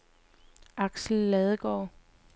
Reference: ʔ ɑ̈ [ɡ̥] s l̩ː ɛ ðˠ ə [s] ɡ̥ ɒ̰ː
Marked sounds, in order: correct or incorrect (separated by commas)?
correct, incorrect